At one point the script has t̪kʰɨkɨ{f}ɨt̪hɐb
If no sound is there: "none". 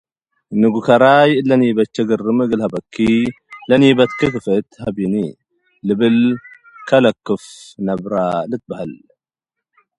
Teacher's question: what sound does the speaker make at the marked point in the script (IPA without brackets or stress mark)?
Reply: f